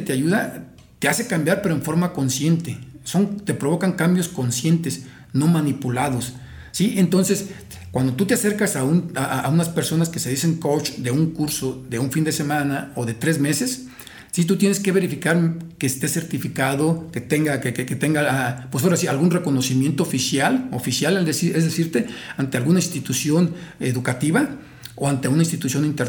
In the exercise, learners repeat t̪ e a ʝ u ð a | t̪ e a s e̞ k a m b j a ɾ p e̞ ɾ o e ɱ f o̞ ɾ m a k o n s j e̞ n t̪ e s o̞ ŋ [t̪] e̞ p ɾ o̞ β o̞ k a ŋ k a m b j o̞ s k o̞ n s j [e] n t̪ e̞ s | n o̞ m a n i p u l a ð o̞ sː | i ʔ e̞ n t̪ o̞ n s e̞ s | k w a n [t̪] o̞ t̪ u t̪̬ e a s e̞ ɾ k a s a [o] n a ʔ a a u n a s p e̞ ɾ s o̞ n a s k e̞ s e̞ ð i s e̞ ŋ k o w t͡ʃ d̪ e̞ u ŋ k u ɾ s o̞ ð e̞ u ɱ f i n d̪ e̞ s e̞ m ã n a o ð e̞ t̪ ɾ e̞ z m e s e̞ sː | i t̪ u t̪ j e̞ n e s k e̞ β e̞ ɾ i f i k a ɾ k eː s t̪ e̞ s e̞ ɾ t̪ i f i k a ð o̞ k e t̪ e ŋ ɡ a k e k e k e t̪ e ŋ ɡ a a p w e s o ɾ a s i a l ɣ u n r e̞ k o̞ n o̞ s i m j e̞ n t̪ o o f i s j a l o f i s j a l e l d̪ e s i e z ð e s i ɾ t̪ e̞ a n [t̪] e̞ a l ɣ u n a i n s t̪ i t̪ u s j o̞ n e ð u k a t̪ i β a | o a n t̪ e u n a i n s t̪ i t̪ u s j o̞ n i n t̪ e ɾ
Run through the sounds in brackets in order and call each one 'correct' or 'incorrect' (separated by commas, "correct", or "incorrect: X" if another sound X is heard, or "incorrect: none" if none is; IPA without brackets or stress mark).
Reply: correct, correct, incorrect: d̪, incorrect: u, correct